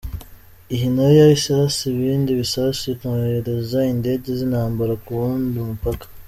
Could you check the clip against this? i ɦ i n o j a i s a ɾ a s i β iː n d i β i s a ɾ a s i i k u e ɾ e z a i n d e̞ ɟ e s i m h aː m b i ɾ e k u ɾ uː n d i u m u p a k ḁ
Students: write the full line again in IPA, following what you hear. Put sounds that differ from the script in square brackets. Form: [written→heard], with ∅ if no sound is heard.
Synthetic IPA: i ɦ i n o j a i s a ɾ a s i β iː n d i β i s a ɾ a s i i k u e ɾ e z a i n d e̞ ɟ e [s→z] i [m→n] h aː m b [i→a] ɾ [e→a] k u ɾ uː n d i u m u p a k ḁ